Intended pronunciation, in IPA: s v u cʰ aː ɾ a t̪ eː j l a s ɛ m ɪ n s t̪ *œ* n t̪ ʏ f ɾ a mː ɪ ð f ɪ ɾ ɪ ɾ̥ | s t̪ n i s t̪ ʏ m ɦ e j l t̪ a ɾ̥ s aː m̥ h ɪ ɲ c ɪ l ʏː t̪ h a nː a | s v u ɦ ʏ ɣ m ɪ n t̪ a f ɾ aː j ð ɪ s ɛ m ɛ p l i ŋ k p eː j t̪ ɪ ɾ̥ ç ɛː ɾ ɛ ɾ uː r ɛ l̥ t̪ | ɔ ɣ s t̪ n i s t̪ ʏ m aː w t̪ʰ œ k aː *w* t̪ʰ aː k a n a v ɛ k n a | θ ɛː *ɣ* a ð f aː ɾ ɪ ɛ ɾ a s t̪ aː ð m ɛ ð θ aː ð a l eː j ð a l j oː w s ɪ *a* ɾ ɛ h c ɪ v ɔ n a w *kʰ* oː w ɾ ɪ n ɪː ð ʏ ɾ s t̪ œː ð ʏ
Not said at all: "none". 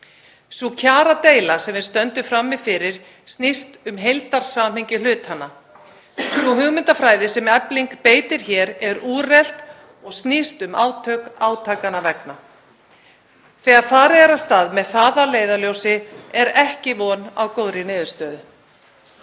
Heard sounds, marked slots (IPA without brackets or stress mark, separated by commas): œ, w, ɣ, ɛ, k